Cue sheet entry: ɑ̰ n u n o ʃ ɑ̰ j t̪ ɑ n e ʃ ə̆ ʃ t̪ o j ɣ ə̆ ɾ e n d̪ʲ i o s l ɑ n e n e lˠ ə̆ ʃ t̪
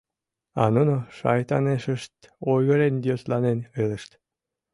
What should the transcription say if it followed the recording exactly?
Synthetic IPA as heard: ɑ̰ n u n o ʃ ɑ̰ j t̪ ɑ n e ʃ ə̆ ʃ t̪ o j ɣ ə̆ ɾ e n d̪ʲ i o s l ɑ n e n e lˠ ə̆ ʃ t̪